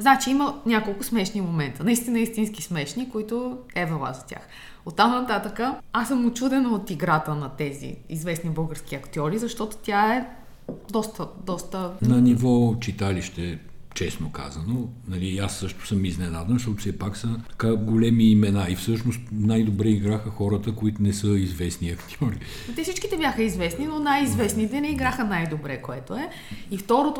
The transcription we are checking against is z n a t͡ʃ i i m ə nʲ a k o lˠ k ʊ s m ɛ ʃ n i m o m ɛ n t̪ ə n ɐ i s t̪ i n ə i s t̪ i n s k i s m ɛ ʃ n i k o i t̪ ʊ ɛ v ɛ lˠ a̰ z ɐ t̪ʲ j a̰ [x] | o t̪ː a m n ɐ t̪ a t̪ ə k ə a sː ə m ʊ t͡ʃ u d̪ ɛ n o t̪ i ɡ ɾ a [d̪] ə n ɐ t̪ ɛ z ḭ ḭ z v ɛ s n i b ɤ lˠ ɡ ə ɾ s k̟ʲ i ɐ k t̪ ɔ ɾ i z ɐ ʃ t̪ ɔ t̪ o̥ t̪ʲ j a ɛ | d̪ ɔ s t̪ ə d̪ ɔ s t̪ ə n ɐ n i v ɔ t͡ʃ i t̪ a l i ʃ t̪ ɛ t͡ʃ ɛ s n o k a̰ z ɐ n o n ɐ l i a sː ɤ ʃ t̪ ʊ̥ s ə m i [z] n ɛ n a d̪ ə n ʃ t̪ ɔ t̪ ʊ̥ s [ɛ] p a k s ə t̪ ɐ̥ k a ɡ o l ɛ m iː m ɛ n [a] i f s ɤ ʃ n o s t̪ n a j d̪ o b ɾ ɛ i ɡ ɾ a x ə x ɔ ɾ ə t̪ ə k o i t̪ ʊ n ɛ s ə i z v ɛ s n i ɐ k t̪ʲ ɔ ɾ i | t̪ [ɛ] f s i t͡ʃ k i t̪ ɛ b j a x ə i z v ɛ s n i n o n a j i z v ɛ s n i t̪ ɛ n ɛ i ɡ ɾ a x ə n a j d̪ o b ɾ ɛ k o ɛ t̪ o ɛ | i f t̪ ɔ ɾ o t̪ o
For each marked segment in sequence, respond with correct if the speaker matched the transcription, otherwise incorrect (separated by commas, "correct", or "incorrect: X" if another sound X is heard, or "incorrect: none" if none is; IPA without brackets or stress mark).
correct, incorrect: t̪, correct, correct, correct, correct